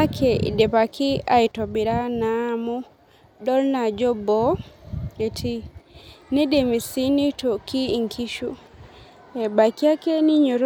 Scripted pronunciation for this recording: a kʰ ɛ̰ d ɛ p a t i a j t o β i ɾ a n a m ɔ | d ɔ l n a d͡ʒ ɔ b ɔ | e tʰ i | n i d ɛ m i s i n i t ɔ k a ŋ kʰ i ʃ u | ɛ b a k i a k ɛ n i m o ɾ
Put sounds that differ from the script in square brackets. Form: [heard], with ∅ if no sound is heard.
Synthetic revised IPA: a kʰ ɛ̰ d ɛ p a [k] i a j t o [b] i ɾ a n a m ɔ | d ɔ l n a d͡ʒ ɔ b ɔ | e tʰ i | n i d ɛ m i s i n i t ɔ k [i] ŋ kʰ i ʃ u | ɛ b a k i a k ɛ n i [ɲ] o ɾ